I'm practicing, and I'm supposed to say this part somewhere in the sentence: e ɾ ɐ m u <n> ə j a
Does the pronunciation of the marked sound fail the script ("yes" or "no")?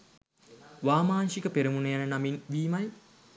no